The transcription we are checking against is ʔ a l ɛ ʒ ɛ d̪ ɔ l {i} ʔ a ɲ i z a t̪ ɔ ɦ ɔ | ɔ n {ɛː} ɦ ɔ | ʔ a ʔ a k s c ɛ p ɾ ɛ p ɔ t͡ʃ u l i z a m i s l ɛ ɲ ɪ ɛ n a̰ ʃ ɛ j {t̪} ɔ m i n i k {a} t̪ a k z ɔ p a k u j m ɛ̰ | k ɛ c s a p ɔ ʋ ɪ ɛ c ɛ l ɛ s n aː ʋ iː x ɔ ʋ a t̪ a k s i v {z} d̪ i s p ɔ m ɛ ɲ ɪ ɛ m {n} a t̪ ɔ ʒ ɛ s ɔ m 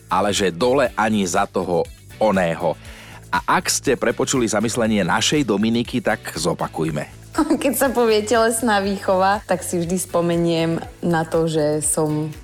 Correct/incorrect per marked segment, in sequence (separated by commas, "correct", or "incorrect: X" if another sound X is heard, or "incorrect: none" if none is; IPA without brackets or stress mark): incorrect: ɛ, correct, incorrect: d̪, incorrect: i, incorrect: ʒ, correct